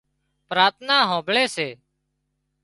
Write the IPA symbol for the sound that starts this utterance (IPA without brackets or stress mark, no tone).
p